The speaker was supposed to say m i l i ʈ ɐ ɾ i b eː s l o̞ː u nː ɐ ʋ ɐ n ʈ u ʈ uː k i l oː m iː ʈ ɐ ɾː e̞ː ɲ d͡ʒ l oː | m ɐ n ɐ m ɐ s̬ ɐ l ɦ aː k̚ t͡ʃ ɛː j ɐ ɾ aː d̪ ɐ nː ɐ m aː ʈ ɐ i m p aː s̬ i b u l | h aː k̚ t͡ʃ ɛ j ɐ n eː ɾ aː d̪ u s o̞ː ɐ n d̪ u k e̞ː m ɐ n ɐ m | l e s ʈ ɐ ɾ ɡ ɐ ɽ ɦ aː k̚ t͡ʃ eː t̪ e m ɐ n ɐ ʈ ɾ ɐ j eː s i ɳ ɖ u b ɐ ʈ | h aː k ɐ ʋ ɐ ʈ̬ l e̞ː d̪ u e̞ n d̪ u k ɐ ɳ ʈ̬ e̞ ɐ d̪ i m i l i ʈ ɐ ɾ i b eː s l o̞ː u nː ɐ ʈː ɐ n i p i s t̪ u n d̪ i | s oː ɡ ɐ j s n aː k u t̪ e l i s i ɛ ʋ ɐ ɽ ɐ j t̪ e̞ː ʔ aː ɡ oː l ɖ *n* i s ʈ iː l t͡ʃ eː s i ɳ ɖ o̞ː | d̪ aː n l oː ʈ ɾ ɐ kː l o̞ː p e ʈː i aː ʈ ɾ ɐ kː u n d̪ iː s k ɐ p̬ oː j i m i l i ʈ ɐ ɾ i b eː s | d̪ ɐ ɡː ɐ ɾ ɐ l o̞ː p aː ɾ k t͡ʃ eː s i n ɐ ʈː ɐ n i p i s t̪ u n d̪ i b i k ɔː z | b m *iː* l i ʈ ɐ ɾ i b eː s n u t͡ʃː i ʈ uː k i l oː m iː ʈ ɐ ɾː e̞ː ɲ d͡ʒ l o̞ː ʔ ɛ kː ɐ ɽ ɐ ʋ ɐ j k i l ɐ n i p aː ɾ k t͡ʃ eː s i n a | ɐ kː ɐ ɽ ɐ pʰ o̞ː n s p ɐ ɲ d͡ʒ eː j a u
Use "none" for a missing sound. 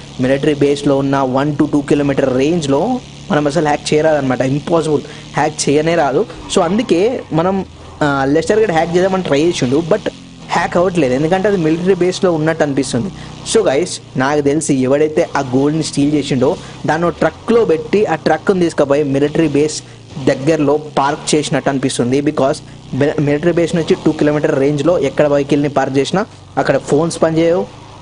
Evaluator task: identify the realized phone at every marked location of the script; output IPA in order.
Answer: n, i

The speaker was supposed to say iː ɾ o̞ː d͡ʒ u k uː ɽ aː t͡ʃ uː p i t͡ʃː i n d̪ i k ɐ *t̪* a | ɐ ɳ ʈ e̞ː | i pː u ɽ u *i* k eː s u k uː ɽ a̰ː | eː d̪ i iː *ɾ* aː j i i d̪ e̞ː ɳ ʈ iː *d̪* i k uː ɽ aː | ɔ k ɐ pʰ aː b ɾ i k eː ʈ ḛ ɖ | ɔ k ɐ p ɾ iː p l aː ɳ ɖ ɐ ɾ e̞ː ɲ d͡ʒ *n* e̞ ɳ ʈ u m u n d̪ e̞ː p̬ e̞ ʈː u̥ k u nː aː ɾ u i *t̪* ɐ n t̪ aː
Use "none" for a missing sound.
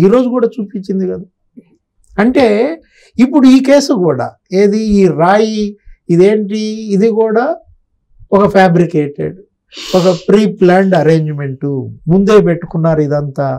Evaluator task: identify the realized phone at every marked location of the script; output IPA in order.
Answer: d̪, iː, ɾ, d̪, m, d̪

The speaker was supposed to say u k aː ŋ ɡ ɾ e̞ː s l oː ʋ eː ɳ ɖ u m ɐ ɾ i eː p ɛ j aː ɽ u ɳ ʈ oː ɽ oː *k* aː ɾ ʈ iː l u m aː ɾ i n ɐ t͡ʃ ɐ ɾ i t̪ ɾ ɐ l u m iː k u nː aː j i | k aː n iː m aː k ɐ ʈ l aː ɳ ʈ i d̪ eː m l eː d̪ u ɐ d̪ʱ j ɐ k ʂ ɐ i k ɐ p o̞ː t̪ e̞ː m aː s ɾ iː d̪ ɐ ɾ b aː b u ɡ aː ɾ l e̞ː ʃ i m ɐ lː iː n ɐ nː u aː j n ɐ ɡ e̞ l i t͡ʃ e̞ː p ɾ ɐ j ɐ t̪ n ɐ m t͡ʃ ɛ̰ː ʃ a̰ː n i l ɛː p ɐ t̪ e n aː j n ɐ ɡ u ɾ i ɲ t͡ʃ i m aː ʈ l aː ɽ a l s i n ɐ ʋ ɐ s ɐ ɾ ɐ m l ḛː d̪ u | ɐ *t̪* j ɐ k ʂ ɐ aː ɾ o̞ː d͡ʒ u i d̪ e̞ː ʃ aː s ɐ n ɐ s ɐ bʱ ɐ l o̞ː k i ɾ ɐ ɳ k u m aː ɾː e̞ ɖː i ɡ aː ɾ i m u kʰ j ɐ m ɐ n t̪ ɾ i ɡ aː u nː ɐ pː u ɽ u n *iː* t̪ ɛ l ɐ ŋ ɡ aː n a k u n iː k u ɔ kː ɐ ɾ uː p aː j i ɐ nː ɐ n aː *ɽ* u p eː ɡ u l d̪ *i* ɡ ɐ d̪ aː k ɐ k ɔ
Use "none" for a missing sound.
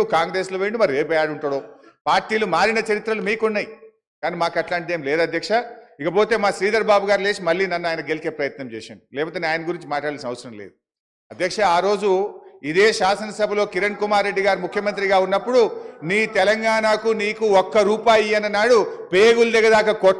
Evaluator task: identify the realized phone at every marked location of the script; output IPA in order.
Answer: p, d̪, iː, ɽ, ɛ

